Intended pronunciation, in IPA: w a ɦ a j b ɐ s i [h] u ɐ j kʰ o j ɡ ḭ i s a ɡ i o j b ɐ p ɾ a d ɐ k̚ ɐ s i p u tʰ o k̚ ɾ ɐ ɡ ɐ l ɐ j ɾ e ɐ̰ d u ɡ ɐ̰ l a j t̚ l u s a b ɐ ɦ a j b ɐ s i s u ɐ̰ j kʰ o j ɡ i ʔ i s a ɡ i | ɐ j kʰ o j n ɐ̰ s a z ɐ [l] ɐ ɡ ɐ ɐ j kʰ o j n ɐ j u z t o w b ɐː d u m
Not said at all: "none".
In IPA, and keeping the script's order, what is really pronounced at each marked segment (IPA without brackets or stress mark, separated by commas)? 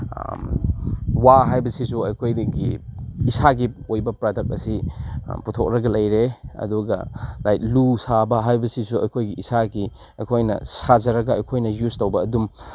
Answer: s, ɾ